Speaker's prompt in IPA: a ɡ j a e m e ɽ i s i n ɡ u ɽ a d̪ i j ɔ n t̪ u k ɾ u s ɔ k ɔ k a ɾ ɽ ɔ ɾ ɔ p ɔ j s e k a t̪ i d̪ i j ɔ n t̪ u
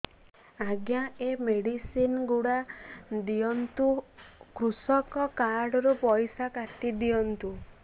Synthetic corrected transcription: a ɡ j a e m e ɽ i s i n ɡ u ɽ a d̪ i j ɔ n t̪ u k ɾ u s ɔ k ɔ k a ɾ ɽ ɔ ɾ u p ɔ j s a k a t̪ i d̪ i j ɔ n t̪ u